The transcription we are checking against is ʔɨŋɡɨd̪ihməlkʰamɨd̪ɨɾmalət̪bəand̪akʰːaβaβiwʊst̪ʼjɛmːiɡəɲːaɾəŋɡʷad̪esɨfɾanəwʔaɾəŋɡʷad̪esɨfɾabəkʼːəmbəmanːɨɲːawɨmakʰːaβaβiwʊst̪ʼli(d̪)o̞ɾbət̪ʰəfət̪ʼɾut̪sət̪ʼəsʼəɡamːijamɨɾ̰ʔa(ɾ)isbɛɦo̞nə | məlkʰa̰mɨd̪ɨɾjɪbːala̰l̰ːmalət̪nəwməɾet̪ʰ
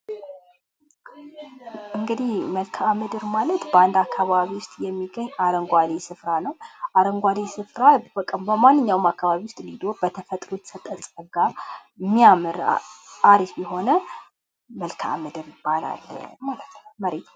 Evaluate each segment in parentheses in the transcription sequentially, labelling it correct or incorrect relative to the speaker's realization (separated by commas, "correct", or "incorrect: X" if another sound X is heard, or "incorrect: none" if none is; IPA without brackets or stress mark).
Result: correct, correct